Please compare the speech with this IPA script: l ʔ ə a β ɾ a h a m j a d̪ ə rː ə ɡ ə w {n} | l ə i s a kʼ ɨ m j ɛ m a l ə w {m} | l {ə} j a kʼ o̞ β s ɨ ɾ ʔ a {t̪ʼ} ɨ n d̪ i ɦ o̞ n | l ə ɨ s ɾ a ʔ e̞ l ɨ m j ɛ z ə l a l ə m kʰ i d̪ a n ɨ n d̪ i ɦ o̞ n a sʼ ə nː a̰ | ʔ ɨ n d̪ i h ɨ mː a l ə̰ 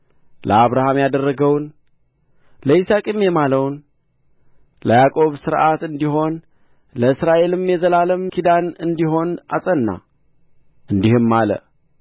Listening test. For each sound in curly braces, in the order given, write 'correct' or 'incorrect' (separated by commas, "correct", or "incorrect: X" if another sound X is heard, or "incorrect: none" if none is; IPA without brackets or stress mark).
correct, incorrect: n, correct, incorrect: t̪